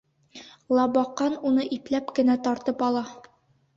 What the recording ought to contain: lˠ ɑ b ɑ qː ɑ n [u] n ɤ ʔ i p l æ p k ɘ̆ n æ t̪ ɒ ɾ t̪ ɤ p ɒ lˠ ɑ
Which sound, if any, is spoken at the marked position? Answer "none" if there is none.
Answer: u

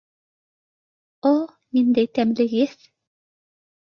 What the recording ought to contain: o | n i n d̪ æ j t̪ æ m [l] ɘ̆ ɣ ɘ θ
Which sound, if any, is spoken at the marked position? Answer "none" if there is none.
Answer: l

